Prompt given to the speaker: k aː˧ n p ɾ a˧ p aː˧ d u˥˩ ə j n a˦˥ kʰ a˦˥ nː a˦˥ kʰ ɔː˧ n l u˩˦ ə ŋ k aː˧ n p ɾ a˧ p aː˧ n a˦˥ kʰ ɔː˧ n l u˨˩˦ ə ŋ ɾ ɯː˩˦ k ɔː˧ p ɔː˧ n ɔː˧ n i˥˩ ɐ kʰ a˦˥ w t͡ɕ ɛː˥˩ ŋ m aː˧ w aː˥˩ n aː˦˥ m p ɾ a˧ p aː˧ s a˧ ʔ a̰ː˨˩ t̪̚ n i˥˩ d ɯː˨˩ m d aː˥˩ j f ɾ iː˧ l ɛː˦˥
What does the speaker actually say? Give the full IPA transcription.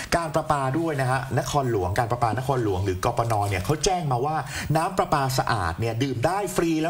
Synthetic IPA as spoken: k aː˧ n p ɾ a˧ p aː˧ d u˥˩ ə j n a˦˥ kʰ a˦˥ n a˦˥ kʰ ɔː˧ n l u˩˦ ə ŋ k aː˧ n p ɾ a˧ p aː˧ n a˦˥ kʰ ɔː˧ n l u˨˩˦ ə ŋ ɾ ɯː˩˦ k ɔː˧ p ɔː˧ n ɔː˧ n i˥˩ ɐ kʰ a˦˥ w t͡ɕ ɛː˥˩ ŋ m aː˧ w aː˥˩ n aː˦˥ m p ɾ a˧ p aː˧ s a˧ ʔ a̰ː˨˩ t̪̚ n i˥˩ d ɯː˨˩ m d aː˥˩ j f ɾ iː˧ l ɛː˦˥

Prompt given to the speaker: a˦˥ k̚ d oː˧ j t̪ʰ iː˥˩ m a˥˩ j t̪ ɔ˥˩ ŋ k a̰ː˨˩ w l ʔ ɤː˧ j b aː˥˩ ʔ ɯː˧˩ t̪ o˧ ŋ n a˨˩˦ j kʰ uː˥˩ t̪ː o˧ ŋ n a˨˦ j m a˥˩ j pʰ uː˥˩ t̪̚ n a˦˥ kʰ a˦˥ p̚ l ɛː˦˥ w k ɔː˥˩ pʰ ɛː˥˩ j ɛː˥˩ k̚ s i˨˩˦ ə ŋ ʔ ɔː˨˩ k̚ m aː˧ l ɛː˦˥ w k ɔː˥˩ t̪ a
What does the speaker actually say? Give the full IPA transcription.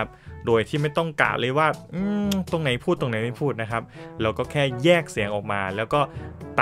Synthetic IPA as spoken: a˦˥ p̚ d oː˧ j t̪ʰ iː˥˩ m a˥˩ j t̪ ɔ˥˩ ŋ k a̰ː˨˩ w l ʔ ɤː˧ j w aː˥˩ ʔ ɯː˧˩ t̪ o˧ ŋ n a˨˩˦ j pʰ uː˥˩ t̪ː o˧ ŋ n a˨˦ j m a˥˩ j pʰ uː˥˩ t̪̚ n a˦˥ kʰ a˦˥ p̚ l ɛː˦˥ w k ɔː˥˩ kʰ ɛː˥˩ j ɛː˥˩ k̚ s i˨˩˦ ə ŋ ʔ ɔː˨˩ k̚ m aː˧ l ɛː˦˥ w k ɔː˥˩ t̪ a

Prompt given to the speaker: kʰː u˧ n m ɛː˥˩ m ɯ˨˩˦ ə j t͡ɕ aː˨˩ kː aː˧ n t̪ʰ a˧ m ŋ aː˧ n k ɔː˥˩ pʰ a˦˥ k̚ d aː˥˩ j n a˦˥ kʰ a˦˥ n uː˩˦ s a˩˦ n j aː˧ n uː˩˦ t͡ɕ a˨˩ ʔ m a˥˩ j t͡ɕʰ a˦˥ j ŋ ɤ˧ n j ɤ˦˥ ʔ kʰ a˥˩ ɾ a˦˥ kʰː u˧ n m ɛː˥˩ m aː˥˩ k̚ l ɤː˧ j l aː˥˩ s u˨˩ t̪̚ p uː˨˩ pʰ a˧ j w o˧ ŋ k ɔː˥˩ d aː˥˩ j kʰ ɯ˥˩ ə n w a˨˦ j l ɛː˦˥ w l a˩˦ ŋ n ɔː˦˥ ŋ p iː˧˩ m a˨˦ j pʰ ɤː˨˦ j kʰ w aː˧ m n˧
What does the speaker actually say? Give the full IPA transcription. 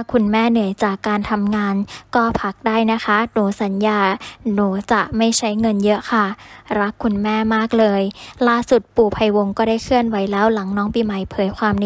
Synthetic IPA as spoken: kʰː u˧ n m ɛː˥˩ n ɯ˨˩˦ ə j t͡ɕ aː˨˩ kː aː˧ n t̪ʰ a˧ m ŋ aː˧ n k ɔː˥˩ pʰ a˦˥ k̚ d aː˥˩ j n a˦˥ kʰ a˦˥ n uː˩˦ s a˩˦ n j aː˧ n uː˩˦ t͡ɕ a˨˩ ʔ m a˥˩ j t͡ɕʰ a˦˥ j ŋ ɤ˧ n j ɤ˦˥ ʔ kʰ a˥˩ ɾ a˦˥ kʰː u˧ n m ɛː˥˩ m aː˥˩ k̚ l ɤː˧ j l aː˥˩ s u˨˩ t̪̚ p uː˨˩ pʰ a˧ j w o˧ ŋ k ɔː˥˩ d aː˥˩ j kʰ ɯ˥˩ ə n w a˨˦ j l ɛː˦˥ w l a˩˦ ŋ n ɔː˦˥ ŋ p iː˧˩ m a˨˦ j pʰ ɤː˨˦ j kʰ w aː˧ m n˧

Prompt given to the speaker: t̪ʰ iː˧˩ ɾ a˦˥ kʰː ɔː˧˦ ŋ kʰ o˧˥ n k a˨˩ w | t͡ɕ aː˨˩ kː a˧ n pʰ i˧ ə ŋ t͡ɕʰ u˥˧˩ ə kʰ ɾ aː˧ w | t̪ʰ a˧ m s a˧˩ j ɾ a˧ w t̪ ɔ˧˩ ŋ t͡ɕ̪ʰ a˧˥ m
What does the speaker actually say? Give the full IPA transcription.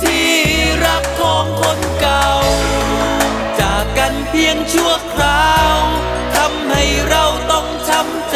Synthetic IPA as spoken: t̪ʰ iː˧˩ ɾ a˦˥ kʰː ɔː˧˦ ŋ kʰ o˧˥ n k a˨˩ w | t͡ɕ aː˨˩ kː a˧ n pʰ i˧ ə ŋ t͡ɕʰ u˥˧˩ ə kʰ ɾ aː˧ w | t̪ʰ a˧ m h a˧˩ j ɾ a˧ w t̪ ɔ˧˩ ŋ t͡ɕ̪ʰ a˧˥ m

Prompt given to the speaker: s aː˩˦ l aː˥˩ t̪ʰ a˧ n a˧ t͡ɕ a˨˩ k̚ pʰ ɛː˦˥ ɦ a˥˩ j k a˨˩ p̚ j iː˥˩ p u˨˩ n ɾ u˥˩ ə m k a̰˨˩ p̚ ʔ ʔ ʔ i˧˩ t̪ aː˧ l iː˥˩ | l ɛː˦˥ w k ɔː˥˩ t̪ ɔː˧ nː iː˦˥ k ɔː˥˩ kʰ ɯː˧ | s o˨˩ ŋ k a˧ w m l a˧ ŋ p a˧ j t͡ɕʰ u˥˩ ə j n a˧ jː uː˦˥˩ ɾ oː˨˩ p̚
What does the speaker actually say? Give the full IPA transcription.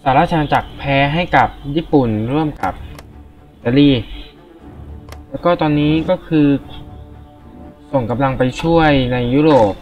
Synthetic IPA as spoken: s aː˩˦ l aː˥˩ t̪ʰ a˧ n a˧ t͡ɕ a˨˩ k̚ pʰ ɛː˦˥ ɦ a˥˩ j k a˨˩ p̚ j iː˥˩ p u˨˩ n ɾ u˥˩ ə m k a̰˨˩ p̚ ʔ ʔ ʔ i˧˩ t̪ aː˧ l iː˥˩ | l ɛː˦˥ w k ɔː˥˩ t̪ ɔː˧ nː iː˦˥ k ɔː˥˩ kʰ ɯː˧ | s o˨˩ ŋ k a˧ m l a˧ ŋ p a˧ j t͡ɕʰ u˥˩ ə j n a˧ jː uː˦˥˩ ɾ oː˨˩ p̚

